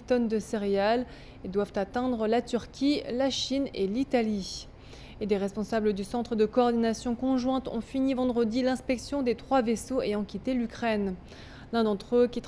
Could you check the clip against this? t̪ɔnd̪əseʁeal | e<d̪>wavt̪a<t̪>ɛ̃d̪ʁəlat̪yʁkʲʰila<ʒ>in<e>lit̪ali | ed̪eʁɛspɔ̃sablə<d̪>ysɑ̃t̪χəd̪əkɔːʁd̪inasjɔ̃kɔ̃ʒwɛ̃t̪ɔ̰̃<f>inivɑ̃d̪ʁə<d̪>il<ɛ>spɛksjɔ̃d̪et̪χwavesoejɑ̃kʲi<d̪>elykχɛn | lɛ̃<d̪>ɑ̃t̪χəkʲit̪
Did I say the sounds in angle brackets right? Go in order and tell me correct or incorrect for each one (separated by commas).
correct, correct, incorrect, correct, correct, correct, correct, incorrect, incorrect, correct